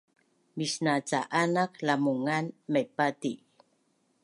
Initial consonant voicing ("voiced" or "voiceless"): voiced